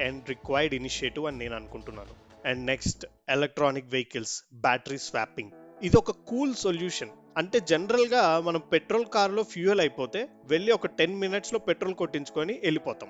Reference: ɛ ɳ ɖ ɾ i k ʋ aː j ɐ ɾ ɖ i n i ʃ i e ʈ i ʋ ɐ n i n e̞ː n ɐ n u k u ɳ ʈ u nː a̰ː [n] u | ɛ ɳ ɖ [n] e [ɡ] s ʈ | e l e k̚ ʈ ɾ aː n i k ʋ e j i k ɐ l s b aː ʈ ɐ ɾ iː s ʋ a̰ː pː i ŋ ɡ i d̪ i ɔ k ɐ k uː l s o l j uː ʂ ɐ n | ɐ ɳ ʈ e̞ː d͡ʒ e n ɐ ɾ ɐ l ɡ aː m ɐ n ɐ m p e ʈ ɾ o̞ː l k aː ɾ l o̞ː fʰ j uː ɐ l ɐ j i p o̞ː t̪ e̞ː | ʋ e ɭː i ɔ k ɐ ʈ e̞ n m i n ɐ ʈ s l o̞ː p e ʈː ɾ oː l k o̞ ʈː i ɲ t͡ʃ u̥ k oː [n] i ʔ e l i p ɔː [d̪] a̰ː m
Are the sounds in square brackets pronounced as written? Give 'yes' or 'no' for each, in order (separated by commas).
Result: yes, yes, no, yes, no